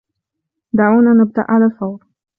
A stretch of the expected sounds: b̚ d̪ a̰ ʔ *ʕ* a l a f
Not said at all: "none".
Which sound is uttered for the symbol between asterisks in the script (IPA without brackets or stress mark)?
ʕ